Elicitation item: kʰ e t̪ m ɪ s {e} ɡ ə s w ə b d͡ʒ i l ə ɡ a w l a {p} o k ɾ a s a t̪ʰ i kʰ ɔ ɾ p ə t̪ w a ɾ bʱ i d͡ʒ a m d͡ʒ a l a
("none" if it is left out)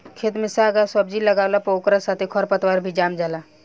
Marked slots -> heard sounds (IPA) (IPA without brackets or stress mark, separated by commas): a, p